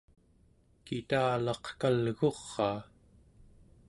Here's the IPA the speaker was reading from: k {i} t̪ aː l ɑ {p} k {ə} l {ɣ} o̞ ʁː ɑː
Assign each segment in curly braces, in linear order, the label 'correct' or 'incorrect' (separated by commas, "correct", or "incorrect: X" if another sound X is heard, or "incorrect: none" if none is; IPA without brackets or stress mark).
correct, incorrect: q, incorrect: a, correct